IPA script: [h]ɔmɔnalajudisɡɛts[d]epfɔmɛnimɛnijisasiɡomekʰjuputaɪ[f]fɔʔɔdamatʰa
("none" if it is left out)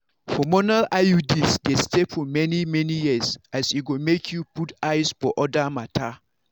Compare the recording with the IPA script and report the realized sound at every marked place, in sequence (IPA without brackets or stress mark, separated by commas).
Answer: f, t, s